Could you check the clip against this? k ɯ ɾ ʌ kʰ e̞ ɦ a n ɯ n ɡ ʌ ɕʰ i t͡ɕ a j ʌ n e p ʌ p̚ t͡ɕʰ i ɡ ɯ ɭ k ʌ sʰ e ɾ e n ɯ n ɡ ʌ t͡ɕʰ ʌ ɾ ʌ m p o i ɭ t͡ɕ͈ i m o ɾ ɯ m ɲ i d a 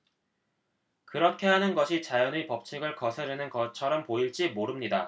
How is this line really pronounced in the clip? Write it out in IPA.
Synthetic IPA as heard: k ɯ ɾ ʌ kʰ e̞ ɦ a n ɯ n ɡ ʌ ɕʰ i t͡ɕ a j ʌ n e p ʌ p̚ t͡ɕʰ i ɡ ɯ ɭ k ʌ sʰ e ɾ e n ɯ n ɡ ʌ t͡ɕʰ ʌ ɾ ʌ m p o i ɭ t͡ɕ͈ i m o ɾ ɯ m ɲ i d a

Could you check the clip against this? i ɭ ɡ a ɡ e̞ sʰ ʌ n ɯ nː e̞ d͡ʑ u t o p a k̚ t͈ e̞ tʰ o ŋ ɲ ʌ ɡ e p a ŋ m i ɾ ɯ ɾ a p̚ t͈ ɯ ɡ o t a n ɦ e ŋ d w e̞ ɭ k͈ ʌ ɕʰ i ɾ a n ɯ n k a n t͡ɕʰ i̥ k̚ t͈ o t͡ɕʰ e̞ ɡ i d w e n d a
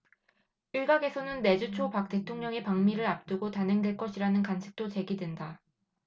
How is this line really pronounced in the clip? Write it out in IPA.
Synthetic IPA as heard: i ɭ ɡ a ɡ e̞ sʰ ʌ n ɯ nː e̞ d͡ʑ u t͡ɕʰ o p a k̚ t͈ e̞ tʰ o ŋ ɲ ʌ ŋ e p a ŋ m i ɾ ɯ ɾ a p̚ t͈ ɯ ɡ o t a n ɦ e ŋ d w e̞ ɭ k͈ ʌ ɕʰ i ɾ a n ɯ n k a n t͡ɕʰ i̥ k̚ t͈ o t͡ɕ e̞ ɡ i d w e n d a

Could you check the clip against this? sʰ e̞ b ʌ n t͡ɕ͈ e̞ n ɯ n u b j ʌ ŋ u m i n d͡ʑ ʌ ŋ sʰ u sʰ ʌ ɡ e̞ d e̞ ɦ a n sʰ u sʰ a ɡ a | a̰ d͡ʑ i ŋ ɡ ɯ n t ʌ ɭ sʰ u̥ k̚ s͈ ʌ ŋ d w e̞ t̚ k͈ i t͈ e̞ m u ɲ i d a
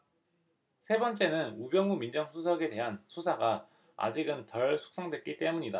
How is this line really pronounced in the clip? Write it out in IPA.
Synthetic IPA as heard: sʰ e̞ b ʌ n t͡ɕ͈ e̞ n ɯ n u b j ʌ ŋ u m i n d͡ʑ ʌ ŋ sʰ u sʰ ʌ ɡ e̞ d e̞ ɦ a n sʰ u sʰ a ɡ a | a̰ d͡ʑ i ɡ ɯ n t ʌ ɭ sʰ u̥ k̚ s͈ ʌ ŋ d w e̞ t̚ k͈ i t͈ e̞ m u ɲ i d a

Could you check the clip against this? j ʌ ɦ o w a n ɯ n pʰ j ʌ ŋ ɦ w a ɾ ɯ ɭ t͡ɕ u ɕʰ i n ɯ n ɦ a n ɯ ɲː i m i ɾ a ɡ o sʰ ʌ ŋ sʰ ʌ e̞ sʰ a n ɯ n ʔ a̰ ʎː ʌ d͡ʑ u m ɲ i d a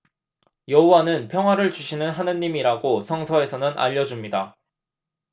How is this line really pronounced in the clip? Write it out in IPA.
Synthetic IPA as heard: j ʌ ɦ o w a n ɯ n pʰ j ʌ ŋ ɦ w a ɾ ɯ ɭ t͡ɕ u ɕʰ i n ɯ n ɦ a n ɯ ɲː i m i ɾ a ɡ o sʰ ʌ ŋ sʰ ʌ e̞ sʰ ʌ n ɯ n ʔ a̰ ʎː ʌ d͡ʑ u m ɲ i d a

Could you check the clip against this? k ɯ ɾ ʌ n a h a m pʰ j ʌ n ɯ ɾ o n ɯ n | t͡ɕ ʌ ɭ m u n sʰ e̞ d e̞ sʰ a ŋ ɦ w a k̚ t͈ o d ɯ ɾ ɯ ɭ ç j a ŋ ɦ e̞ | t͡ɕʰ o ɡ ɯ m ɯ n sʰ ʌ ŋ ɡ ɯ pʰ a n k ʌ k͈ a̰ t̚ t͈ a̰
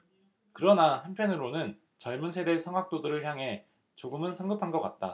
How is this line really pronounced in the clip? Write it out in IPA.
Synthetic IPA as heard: k ɯ ɾ ʌ n a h a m pʰ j ʌ n ɯ ɾ o n ɯ n | t͡ɕ ʌ ɭ m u n sʰ e̞ d e̞ sʰ ʌ ŋ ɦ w a k̚ t͈ o d ɯ ɾ ɯ ɭ ç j a ŋ ɦ e̞ | t͡ɕ o ɡ ɯ m ɯ n sʰ ʌ ŋ ɡ ɯ pʰ a n ɡ ʌ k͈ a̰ t̚ t͈ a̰

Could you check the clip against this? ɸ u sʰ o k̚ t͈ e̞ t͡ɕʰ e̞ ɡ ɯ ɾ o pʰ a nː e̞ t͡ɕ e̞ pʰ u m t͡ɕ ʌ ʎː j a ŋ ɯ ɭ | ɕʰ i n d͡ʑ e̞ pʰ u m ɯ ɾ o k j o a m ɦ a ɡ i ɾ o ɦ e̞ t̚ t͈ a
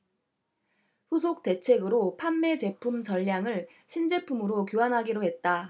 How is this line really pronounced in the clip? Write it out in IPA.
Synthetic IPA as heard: ɸ u sʰ o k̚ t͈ e̞ t͡ɕʰ e̞ ɡ ɯ ɾ o pʰ a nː e̞ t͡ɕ e̞ pʰ u m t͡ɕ ʌ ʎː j a ŋ ɯ ɭ | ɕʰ i n d͡ʑ e̞ pʰ u m ɯ ɾ o k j o a n ɦ a ɡ i ɾ o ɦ e̞ t̚ t͈ a

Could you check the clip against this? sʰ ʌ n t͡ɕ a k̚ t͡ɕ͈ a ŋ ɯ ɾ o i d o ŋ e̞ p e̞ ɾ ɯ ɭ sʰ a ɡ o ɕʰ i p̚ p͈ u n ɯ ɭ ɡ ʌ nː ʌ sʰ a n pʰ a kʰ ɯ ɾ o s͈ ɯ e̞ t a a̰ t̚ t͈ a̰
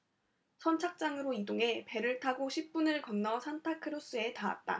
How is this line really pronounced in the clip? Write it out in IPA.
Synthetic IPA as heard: sʰ ʌ n t͡ɕʰ a k̚ t͡ɕ͈ a ŋ ɯ ɾ o i d o ŋ e̞ p e̞ ɾ ɯ ɭ tʰ a ɡ o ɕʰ i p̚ p͈ u n ɯ ɭ k ʌ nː ʌ sʰ a n tʰ a kʰ ɯ ɾ o s͈ ɯ e̞ t a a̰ t̚ t͈ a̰

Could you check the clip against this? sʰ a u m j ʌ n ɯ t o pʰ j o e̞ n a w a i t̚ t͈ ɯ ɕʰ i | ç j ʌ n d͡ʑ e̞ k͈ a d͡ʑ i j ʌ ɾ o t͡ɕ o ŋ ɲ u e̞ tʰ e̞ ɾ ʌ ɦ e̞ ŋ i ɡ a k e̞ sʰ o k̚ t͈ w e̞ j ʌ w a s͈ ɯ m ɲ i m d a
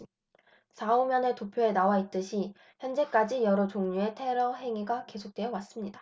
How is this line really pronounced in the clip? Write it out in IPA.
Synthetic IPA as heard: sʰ a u m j ʌ n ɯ t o pʰ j o e̞ n a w a i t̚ t͈ ɯ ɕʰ i | ç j ʌ n d͡ʑ e̞ k͈ a d͡ʑ i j ʌ ɾ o t͡ɕ o ŋ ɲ u e̞ tʰ e̞ ɾ ʌ ɦ e̞ ŋ i ɡ a k e̞ sʰ o k̚ t͈ w e̞ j ʌ w a s͈ ɯ m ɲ i d a

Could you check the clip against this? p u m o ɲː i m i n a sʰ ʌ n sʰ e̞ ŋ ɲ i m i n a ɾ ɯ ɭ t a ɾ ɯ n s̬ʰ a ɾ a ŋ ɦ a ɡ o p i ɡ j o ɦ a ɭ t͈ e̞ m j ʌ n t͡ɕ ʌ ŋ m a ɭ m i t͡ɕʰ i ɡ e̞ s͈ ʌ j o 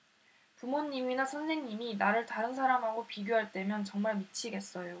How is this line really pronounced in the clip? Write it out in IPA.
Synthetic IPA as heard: p u m o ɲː i m i n a sʰ ʌ n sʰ e̞ ŋ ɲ i m i n a ɾ ɯ ɭ t a ɾ ɯ n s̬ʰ a ɾ a m ɦ a ɡ o p i ɡ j o ɦ a ɭ t͈ e̞ m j ʌ n t͡ɕ ʌ ŋ m a ɭ m i t͡ɕʰ i ɡ e̞ s͈ ʌ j o

